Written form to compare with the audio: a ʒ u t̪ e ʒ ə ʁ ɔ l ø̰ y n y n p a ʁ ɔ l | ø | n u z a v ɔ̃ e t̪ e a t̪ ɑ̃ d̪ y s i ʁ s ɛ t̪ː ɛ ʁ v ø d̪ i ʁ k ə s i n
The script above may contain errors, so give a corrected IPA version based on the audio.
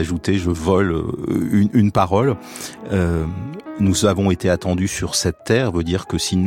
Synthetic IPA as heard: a ʒ u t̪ e ʒ ə v ɔ l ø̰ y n y n p a ʁ ɔ l | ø | n u z a v ɔ̃ e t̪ e a t̪ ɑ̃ d̪ y s y ʁ s ɛ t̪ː ɛ ʁ v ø d̪ i ʁ k ə s i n